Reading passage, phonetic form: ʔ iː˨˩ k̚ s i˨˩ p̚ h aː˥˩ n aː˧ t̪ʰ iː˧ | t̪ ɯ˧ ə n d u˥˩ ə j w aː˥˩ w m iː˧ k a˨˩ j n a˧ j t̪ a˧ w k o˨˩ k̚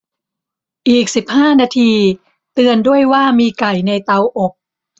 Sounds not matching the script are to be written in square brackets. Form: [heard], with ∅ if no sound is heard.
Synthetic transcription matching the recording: ʔ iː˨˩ k̚ s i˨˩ p̚ h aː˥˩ n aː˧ t̪ʰ iː˧ | t̪ ɯ˧ ə n d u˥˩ ə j w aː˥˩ [∅] m iː˧ k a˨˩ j n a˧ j t̪ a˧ w [ʔ] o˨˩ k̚